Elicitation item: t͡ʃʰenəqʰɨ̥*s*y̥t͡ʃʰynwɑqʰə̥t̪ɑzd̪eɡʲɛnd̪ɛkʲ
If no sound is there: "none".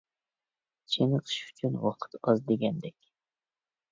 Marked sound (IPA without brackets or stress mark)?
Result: ʃ